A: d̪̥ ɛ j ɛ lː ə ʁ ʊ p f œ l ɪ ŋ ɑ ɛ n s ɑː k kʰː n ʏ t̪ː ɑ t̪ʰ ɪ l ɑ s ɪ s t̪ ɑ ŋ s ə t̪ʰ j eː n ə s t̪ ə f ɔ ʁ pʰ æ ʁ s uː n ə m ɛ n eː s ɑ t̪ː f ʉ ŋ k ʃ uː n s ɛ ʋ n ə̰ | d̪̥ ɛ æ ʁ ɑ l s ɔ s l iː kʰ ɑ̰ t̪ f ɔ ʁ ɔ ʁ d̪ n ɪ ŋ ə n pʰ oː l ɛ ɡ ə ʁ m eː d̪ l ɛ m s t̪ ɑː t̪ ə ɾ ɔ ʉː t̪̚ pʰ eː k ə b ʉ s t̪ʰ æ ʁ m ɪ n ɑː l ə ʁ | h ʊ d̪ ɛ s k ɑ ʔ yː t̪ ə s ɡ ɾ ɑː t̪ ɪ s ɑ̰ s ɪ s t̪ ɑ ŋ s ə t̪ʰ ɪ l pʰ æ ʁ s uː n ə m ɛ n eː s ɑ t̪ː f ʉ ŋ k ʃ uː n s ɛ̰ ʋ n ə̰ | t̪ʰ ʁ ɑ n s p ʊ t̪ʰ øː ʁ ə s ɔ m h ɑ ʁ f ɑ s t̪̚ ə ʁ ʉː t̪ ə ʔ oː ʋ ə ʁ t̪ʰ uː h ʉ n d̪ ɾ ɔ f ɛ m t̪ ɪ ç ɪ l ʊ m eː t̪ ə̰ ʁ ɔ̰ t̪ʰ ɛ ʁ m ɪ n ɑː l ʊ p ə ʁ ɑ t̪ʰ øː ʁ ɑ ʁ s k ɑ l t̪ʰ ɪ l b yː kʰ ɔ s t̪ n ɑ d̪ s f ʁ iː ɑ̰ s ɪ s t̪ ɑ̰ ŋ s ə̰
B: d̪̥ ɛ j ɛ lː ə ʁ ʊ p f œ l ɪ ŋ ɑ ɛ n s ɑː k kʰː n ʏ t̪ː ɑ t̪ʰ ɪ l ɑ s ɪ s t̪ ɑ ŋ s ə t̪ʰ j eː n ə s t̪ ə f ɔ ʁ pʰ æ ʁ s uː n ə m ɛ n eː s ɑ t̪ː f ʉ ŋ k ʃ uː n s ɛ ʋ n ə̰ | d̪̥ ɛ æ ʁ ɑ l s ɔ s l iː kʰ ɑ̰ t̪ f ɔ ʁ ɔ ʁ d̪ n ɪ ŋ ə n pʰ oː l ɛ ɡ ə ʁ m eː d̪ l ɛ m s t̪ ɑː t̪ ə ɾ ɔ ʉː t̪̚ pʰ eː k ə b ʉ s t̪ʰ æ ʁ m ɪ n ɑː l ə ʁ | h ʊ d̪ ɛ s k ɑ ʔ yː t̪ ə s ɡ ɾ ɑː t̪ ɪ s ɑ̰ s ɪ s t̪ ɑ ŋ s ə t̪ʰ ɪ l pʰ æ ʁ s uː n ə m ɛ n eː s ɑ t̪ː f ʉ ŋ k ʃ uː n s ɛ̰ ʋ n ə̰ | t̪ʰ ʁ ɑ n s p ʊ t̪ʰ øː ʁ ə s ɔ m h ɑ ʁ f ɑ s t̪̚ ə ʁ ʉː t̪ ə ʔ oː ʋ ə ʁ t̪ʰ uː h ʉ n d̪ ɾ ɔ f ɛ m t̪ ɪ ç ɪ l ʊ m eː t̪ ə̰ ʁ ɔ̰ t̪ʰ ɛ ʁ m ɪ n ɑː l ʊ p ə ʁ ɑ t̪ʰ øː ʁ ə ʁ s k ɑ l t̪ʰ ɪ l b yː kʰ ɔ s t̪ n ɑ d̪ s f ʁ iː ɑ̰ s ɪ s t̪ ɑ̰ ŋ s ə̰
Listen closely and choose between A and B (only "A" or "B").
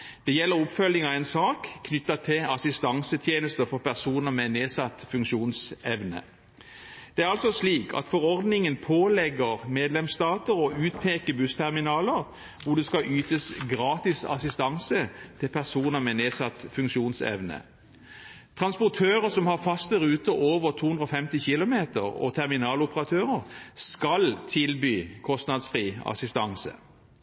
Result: B